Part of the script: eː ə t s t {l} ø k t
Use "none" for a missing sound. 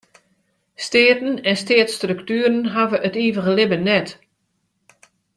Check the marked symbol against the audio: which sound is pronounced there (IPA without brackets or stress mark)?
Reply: r